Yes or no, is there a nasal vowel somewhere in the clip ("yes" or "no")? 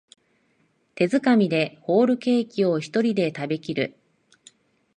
no